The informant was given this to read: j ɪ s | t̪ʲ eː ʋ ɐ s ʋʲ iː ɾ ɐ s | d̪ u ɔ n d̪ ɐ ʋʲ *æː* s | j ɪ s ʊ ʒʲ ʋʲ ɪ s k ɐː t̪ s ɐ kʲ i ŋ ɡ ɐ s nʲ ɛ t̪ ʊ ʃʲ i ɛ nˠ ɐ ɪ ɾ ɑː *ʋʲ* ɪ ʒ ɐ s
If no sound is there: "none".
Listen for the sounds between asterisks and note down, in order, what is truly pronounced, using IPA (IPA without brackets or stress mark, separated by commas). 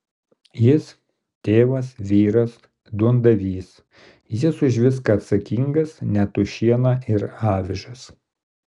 iː, ʋʲ